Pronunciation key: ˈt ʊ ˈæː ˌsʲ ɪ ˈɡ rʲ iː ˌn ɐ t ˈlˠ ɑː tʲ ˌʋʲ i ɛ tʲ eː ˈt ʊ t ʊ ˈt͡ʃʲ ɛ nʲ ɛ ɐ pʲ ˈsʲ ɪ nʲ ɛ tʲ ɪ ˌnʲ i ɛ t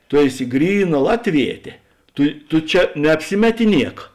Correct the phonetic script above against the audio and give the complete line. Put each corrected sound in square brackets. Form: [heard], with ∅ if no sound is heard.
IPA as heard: ˈt ʊ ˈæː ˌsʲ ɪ ˈɡ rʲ iː ˌn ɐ [∅] ˈlˠ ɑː tʲ ˌʋʲ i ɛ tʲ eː ˈt ʊ t ʊ ˈt͡ʃʲ ɛ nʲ ɛ ɐ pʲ ˈsʲ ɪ [mʲ] ɛ tʲ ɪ ˌnʲ i ɛ [k]